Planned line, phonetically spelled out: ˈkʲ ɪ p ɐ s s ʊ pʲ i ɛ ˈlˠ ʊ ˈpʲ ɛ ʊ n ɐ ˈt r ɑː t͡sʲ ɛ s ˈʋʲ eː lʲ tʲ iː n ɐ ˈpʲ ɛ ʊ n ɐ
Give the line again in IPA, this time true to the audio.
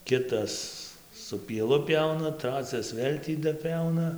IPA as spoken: ˈkʲ ɪ t ɐ s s ʊ pʲ i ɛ ˈlˠ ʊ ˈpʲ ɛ ʊ n ɐ ˈt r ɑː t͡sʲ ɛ s ˈʋʲ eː lʲ tʲ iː d ɐ ˈpʲ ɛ ʊ n ɐ